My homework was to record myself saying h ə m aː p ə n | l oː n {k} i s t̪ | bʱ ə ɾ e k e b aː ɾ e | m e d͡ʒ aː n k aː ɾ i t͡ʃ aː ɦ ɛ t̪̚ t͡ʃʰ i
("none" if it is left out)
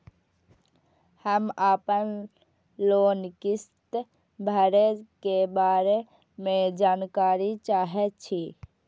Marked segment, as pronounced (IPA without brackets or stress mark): k